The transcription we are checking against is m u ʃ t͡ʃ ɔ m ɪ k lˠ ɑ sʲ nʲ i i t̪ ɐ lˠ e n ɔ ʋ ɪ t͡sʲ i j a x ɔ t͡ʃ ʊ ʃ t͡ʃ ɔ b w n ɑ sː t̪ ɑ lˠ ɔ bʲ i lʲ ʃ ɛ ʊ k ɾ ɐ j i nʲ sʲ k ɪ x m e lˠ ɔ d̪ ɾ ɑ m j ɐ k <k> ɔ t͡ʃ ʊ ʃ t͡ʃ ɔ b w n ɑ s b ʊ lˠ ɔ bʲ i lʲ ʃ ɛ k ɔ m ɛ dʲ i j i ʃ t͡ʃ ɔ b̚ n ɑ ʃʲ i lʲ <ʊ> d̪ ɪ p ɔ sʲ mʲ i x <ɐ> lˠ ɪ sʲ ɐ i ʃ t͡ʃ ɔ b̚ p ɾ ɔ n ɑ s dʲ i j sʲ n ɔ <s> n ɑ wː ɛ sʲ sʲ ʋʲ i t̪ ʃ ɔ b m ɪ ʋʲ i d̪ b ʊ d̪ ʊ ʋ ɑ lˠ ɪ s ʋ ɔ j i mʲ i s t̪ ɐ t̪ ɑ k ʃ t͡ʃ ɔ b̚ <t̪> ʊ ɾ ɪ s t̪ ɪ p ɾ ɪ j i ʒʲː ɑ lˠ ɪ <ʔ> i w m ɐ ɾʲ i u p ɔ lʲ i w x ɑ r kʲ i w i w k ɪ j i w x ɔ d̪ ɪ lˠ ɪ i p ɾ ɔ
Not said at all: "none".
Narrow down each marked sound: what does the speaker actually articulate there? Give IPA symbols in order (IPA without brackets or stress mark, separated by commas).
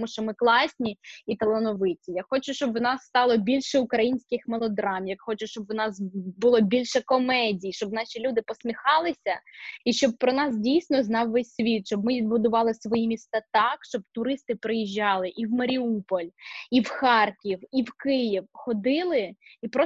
x, u, ɑ, z, t̪, ʔ